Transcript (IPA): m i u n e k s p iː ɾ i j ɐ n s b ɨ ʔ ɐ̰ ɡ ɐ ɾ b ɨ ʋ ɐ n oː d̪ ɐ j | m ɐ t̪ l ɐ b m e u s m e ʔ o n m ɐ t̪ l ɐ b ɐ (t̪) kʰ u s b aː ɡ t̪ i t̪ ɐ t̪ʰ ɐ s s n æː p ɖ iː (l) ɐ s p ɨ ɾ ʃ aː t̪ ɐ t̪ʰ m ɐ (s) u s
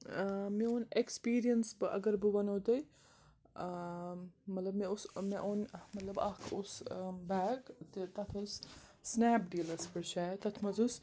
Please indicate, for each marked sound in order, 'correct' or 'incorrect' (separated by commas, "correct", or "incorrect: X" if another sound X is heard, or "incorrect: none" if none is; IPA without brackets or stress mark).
incorrect: none, correct, incorrect: z